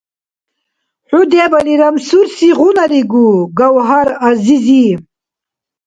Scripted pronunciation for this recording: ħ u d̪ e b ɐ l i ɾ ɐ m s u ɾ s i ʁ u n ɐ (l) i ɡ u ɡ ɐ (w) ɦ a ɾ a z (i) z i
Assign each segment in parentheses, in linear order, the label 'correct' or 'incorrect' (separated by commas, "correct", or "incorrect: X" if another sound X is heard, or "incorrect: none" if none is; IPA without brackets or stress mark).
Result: incorrect: ɾ, correct, correct